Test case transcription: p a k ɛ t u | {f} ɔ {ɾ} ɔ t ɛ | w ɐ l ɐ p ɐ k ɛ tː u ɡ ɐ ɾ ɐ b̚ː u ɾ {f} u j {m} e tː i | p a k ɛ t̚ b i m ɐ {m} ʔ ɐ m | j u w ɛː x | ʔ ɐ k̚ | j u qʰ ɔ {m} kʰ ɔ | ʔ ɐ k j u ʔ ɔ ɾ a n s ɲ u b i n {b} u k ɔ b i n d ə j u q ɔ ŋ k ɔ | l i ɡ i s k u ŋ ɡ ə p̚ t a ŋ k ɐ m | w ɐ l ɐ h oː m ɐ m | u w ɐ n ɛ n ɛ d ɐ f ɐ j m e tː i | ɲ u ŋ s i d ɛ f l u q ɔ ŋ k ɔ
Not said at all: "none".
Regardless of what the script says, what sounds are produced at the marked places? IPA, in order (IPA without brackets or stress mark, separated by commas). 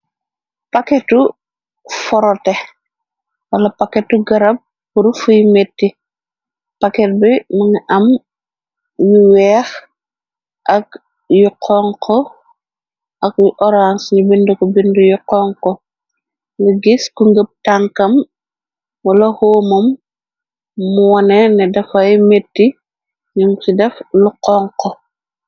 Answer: f, ɾ, f, m, ŋ, ŋ, d